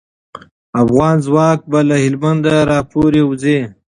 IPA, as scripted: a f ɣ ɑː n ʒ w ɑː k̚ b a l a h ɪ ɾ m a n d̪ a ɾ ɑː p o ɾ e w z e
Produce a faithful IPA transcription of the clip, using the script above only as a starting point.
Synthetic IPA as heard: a f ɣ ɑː n z w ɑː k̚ b a l a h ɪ l m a n d̪ a ɾ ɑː p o ɾ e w z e

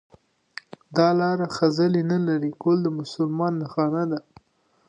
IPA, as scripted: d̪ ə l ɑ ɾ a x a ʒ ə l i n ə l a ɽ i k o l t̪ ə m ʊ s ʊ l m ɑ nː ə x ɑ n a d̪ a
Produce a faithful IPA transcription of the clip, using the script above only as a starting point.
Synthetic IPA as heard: d̪ ɑ l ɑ ɾ a x a z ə l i n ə l a ɾ i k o l d̪ ə m ʊ s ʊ l m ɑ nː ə x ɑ n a d̪ a

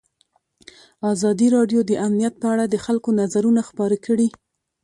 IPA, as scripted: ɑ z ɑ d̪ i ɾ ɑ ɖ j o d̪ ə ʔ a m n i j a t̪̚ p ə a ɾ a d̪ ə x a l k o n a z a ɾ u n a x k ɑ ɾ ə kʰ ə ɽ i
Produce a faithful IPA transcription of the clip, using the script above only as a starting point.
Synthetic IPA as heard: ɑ z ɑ d̪ i ɾ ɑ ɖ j o d̪ ə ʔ a m n i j a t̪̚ p ə a ɽ a d̪ ə x a l k o n a z a ɾ u n a x p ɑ ɾ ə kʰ ə ɽ i

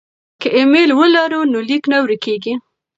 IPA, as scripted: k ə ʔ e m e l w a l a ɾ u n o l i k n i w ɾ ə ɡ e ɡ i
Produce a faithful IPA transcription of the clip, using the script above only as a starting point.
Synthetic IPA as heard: k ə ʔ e m e l w ə l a ɾ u n o l i k n a w ɾ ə k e ɡ i

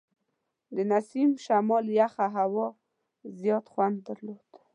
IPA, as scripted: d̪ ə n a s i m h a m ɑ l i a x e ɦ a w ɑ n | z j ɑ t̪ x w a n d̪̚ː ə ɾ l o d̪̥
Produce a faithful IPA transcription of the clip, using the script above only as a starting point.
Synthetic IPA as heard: d̪ ə n a s i m ʃ a m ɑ l j a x a ɦ a w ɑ | z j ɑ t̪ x w a n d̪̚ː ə ɾ l o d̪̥

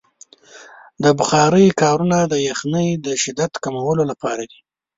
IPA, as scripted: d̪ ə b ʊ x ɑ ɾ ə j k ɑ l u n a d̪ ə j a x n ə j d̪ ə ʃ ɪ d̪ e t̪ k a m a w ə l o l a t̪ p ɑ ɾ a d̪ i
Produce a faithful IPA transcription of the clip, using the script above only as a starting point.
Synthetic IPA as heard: d̪ ə b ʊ x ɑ ɾ ə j k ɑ ɾ u n a d̪ ə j a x n ə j d̪ ə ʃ ɪ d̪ a t̪ k a m a w ə l o l a p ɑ ɾ a d̪ i

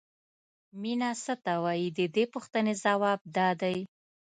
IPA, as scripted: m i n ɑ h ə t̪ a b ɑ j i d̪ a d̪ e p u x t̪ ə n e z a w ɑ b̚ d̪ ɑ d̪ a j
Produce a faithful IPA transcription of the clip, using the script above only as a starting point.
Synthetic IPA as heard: m i n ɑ s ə t̪ a w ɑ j i d̪ ə d̪ e p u x t̪ ə n e z a w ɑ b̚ d̪ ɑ d̪ a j

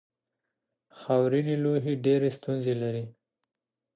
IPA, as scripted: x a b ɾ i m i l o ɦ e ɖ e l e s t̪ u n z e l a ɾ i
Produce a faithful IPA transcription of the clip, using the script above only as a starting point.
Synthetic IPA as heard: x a w ɾ i n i l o ɦ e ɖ e ɾ e s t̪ u n z e l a ɾ i

